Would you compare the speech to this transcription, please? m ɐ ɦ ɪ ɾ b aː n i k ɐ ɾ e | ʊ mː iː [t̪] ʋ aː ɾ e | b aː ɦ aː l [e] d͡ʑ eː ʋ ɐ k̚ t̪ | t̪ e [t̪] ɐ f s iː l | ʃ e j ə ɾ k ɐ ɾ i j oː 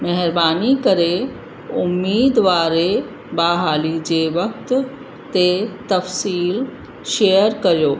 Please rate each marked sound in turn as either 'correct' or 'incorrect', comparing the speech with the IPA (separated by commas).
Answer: incorrect, incorrect, correct